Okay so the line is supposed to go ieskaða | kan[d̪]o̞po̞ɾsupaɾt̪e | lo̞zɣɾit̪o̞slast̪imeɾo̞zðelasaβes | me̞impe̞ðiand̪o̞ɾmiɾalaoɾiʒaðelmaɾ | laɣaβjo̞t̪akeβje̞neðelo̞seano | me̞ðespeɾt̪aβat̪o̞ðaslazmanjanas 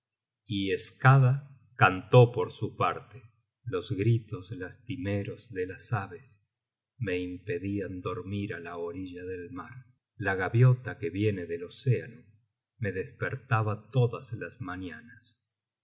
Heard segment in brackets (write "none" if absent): t̪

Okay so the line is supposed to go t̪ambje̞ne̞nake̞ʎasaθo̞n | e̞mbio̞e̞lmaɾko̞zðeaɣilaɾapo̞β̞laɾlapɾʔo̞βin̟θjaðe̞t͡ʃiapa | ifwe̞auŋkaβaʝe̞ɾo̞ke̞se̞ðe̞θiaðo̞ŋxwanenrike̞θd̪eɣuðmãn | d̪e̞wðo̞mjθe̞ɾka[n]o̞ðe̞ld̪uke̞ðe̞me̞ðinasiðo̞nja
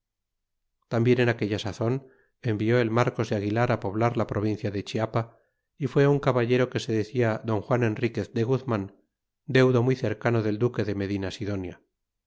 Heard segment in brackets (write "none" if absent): n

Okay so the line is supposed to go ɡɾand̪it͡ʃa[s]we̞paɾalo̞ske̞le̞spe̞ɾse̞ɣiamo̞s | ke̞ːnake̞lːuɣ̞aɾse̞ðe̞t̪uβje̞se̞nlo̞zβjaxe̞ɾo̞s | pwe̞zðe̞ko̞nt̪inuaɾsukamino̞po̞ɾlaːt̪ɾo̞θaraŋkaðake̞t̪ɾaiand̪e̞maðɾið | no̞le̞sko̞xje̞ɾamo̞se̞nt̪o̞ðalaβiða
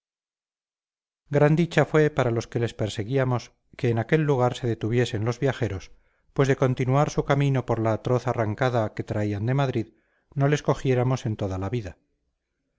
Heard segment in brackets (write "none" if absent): f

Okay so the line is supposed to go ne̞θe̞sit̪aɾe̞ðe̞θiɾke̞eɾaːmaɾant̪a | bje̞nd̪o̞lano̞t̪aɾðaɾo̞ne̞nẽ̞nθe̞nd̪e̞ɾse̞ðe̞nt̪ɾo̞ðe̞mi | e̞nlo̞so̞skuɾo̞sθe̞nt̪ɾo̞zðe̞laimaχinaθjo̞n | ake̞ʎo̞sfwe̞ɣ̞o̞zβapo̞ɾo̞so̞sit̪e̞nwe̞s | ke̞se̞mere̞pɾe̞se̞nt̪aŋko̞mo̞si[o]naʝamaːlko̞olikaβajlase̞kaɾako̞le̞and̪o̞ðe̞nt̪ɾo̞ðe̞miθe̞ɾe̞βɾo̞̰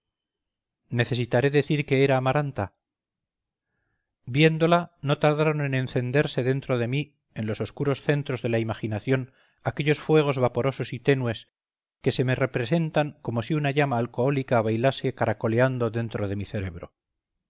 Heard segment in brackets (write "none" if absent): u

